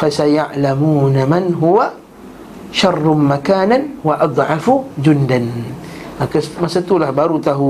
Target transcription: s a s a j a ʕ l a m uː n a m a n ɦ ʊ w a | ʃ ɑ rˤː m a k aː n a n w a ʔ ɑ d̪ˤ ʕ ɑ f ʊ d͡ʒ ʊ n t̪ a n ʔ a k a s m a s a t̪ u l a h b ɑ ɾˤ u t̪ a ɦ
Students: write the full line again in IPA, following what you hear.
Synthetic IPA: f a s a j a ʕ l a m uː n a m a n ɦ ʊ w a | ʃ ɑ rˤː m a k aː n a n w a ʔ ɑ d̪ˤ ʕ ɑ f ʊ d͡ʒ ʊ n d̪ a n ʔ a k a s m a s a t̪ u l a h b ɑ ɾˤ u t̪ a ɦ